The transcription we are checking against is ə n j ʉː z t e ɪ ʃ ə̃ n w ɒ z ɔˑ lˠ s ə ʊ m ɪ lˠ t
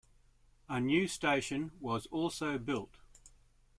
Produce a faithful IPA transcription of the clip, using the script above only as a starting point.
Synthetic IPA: ə n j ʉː s t e ɪ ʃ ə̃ n w ɒ z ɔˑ lˠ s ə ʊ b ɪ lˠ t